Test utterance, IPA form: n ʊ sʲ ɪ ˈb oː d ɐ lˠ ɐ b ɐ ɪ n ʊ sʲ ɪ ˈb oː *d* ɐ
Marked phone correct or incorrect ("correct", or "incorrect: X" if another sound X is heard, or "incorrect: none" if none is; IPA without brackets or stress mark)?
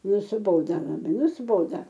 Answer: correct